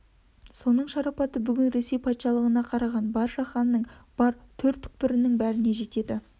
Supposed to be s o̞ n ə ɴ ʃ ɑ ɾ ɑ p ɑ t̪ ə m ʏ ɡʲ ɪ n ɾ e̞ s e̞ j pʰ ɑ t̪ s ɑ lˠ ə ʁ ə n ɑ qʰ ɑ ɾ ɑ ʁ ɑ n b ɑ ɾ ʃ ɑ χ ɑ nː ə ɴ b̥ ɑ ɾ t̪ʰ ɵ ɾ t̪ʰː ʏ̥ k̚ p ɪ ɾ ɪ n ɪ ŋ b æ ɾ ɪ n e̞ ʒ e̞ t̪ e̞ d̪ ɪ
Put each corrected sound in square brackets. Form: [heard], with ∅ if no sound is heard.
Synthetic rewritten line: s o̞ n ə ɴ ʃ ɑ ɾ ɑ p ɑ t̪ ə [b] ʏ ɡʲ ɪ n ɾ e̞ s e̞ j pʰ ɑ t̪ [ʃ] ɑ lˠ ə ʁ ə n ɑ qʰ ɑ ɾ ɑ ʁ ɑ n b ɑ ɾ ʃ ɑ χ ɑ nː ə ɴ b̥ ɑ ɾ t̪ʰ ɵ ɾ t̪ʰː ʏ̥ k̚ p ɪ ɾ ɪ n ɪ ŋ b æ ɾ ɪ n e̞ ʒ e̞ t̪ e̞ d̪ ɪ

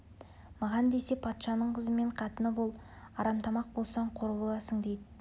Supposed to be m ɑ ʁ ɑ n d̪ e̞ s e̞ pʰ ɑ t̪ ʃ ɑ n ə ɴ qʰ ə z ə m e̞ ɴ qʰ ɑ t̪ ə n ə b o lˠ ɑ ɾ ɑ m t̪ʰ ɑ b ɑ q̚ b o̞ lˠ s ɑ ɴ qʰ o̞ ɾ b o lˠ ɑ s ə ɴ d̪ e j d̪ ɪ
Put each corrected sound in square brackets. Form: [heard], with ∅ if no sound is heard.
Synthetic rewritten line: m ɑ ʁ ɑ n d̪ e̞ s e̞ pʰ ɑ t̪ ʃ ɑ n ə ɴ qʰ ə z ə m e̞ ɴ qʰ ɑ t̪ ə n ə b o lˠ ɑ ɾ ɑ m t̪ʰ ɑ [m] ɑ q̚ b o̞ lˠ s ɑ ɴ qʰ o̞ ɾ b o lˠ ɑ s ə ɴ d̪ e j d̪ ɪ

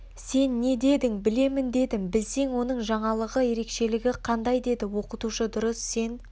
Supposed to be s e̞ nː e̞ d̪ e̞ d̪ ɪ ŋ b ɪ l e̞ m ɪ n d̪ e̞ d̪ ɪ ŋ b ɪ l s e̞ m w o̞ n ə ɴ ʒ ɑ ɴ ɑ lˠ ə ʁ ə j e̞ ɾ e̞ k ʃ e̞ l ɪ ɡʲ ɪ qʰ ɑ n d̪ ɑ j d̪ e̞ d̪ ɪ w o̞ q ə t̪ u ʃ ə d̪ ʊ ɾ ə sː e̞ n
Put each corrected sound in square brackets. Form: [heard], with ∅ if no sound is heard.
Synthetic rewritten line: s e̞ nː e̞ d̪ e̞ d̪ ɪ ŋ b ɪ l e̞ m ɪ n d̪ e̞ d̪ ɪ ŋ b ɪ l s e̞ [ŋ] w o̞ n ə ɴ ʒ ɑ ɴ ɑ lˠ ə ʁ ə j e̞ ɾ e̞ k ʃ e̞ l ɪ ɡʲ ɪ qʰ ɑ n d̪ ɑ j d̪ e̞ d̪ ɪ w o̞ q ə t̪ u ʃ ə d̪ ʊ ɾ ə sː e̞ n

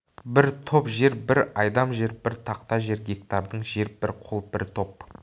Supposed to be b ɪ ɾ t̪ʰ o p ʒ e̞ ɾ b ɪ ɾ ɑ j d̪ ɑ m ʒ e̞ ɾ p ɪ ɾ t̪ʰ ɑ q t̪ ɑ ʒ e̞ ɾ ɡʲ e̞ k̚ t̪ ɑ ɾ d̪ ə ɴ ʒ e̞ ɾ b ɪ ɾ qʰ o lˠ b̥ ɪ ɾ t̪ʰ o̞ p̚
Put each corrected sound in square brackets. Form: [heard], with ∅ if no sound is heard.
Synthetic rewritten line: b ɪ ɾ t̪ʰ o p ʒ e̞ ɾ b ɪ ɾ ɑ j d̪ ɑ m ʒ e̞ ɾ [b] ɪ ɾ t̪ʰ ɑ q t̪ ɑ ʒ e̞ ɾ ɡʲ e̞ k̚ t̪ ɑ ɾ d̪ ə ɴ ʒ e̞ ɾ b ɪ ɾ qʰ o lˠ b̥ ɪ ɾ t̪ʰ o̞ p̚

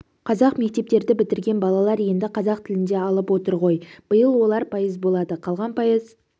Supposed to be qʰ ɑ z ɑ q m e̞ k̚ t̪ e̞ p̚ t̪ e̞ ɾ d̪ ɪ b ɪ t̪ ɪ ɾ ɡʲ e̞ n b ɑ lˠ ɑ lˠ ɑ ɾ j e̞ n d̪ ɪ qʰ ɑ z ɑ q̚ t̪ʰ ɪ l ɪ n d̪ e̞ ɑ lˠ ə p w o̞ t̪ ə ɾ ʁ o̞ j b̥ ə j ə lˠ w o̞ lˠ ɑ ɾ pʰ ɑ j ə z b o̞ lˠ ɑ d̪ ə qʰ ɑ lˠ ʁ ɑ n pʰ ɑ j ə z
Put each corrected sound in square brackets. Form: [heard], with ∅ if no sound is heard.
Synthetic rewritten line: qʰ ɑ z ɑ q m e̞ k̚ t̪ e̞ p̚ t̪ e̞ ɾ d̪ ɪ b ɪ t̪ ɪ ɾ ɡʲ e̞ n b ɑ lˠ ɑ lˠ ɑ ɾ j e̞ n d̪ ɪ qʰ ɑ z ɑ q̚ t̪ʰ ɪ l ɪ n d̪ e̞ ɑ lˠ ə p w o̞ t̪ ə ɾ ʁ o̞ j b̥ ə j ə lˠ w o̞ lˠ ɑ ɾ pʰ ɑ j ə z b o̞ lˠ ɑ d̪ ə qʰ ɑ lˠ ʁ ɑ n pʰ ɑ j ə z

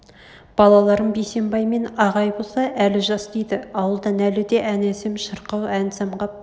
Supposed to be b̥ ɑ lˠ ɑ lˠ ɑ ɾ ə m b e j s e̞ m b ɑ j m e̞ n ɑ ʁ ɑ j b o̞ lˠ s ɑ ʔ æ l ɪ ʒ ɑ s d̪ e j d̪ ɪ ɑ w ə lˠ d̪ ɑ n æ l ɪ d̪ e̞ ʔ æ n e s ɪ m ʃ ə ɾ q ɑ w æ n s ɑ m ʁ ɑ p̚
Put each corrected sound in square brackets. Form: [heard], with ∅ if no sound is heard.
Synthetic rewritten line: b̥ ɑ lˠ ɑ lˠ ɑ ɾ ə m b e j s e̞ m b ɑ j m e̞ n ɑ ʁ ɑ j b o̞ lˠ s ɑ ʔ æ l ɪ ʒ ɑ s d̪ e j d̪ ɪ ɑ w ə lˠ d̪ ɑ n æ l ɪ d̪ e̞ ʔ æ n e s ɪ m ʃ ə ɾ q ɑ w æ n s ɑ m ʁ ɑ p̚

